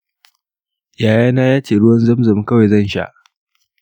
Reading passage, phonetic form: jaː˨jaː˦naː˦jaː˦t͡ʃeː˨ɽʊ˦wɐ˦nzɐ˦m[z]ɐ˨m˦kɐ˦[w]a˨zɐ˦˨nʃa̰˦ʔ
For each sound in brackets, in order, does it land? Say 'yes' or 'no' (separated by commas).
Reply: yes, yes